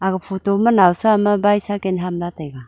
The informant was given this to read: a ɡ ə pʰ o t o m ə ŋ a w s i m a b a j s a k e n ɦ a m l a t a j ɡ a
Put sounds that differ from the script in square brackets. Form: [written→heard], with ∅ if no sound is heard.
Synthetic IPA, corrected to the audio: a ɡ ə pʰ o t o m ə [ŋ→n] a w s [i→a] m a b a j s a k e n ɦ a m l a t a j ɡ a